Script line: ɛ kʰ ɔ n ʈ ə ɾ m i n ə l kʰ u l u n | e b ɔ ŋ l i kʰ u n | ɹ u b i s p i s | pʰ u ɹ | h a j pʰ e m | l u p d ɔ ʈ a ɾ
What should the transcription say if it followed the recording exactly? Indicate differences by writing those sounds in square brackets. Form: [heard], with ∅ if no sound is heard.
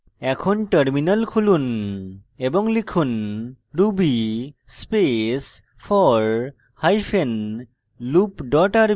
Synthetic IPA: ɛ kʰ ɔ n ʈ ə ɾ m i n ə l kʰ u l u n | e b ɔ ŋ l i kʰ u n | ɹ u b i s p [e] s | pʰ [ɔ] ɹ | h a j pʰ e [n] | l u p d ɔ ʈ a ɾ